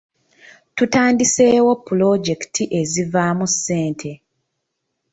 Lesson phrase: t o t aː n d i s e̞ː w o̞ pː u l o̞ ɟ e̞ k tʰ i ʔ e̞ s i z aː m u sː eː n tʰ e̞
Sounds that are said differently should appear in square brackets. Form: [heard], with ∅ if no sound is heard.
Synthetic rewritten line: t [u] t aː n d i s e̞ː w o̞ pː u l o̞ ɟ e̞ k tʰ i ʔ e̞ [z] i [v] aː m u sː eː n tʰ e̞